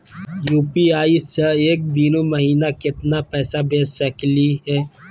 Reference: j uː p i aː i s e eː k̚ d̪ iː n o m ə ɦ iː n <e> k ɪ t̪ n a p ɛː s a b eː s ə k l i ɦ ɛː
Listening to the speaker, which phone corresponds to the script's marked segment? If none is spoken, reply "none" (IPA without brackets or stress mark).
a